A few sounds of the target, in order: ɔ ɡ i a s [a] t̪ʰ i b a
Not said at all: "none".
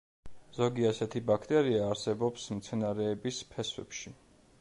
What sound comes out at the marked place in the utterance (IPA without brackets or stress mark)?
ɛ